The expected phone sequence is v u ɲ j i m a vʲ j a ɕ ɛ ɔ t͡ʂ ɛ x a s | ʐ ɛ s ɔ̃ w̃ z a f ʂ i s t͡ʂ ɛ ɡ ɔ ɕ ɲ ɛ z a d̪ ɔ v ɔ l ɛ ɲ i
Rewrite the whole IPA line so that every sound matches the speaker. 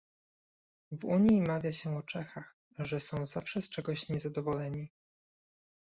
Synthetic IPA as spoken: v u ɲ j i m a vʲ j a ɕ ɛ ɔ t͡ʂ ɛ x a x | ʐ ɛ s ɔ̃ w̃ z a f ʂ ɛ s t͡ʂ ɛ ɡ ɔ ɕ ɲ ɛ z a d̪ ɔ v ɔ l ɛ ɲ i